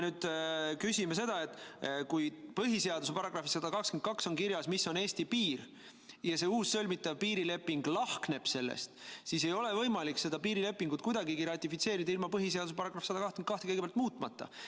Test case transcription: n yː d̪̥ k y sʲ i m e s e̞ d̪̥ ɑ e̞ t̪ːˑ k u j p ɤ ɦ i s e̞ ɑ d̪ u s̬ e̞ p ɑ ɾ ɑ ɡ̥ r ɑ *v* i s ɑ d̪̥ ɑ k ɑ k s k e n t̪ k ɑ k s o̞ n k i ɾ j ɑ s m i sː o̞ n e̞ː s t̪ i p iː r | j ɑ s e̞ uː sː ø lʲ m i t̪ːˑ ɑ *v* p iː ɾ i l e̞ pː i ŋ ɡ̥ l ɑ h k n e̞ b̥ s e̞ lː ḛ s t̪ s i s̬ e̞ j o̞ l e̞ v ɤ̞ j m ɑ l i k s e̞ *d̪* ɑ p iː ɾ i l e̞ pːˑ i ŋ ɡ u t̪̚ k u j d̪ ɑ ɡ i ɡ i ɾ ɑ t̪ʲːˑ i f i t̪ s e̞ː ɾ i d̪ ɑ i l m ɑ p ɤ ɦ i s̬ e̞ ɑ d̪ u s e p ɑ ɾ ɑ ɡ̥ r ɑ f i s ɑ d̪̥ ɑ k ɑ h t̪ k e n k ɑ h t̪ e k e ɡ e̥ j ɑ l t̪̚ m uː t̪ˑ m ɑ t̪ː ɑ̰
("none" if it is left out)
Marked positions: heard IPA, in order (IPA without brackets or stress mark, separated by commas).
f, v, d̪